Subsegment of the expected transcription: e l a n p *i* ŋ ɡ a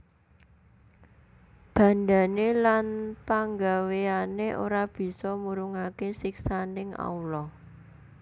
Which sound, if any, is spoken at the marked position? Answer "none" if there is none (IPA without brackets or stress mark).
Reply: a